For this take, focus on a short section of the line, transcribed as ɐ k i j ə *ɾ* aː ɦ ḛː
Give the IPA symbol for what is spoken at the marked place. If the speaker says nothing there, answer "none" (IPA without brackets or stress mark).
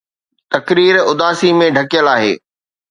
l